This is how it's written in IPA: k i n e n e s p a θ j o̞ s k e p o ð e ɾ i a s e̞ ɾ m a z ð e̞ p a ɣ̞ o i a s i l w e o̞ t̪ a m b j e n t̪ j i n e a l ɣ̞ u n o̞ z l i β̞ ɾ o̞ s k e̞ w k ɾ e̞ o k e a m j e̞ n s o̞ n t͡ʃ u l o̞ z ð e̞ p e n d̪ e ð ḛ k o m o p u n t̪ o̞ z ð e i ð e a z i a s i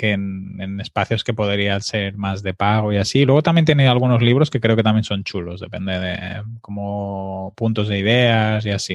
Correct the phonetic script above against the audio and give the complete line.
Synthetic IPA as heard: k e n e n e s p a θ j o̞ s k e p o ð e ɾ i a s e̞ ɾ m a z ð e̞ p a ɣ̞ o i a s i l w e o̞ t̪ a m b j e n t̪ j e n e a l ɣ̞ u n o̞ z l i β̞ ɾ o̞ s k e̞ k ɾ e̞ o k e a m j e̞ n s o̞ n t͡ʃ u l o̞ z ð e̞ p e n d̪ e ð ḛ k o m o p u n t̪ o̞ z ð e i ð e a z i a s i